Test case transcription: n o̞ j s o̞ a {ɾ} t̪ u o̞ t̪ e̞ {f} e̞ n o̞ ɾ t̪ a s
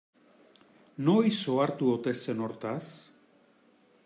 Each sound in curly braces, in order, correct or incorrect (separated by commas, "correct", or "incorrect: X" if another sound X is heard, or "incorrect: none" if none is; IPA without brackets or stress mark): correct, incorrect: s